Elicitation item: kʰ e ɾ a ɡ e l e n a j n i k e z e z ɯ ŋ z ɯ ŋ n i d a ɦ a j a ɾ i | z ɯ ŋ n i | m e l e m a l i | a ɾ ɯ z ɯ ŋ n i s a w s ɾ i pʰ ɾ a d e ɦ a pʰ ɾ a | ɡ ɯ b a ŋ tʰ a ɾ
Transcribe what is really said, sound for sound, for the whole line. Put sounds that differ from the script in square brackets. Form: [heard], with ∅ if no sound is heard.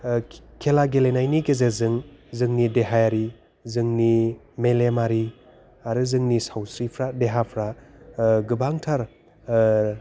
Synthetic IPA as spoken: kʰ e [l] a ɡ e l e n a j n i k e z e z ɯ ŋ z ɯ ŋ n i d [e] ɦ a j a ɾ i | z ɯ ŋ n i | m e l e m a [ɾ] i | a ɾ ɯ z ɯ ŋ n i s a w s ɾ i pʰ ɾ a d e ɦ a pʰ ɾ a | ɡ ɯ b a ŋ tʰ a ɾ